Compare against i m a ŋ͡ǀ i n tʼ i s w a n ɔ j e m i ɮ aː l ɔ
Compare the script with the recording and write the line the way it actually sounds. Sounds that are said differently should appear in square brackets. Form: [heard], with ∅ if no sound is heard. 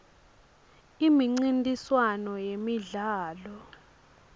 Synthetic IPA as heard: i m [i] ŋ͡ǀ i n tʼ i s w a n ɔ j e m i ɮ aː l ɔ